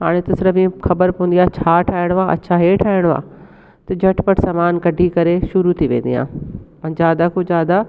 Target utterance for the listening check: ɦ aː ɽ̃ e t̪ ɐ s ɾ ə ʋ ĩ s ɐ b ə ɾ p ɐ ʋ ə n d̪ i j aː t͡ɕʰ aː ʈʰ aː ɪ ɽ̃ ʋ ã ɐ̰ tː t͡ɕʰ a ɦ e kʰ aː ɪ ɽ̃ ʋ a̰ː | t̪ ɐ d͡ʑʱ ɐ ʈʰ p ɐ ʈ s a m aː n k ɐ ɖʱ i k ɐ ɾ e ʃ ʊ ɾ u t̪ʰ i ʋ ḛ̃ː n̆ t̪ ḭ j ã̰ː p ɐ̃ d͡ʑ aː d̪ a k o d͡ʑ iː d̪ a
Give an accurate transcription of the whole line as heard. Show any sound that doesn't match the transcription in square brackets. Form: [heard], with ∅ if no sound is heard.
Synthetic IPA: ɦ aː ɽ̃ e t̪ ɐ s ɾ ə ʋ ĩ [x] ɐ b ə ɾ p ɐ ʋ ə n d̪ i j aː t͡ɕʰ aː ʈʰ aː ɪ ɽ̃ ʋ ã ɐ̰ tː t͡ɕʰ a ɦ e [ʈʰ] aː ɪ ɽ̃ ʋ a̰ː | t̪ ɐ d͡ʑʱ ɐ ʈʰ p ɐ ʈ s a m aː n k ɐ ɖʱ i k ɐ ɾ e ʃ ʊ ɾ u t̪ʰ i ʋ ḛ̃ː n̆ [d̪] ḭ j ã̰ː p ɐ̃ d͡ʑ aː d̪ a k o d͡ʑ [aː] d̪ a